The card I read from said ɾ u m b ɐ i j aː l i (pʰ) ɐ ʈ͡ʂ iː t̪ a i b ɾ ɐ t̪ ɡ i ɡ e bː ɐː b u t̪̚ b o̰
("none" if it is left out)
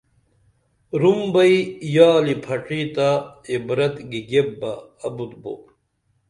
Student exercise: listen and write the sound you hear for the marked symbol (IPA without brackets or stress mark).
pʰ